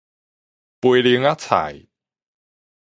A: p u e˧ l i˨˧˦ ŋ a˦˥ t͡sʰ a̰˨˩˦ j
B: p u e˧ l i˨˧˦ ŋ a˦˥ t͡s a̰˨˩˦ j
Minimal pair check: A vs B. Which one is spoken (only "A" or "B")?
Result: A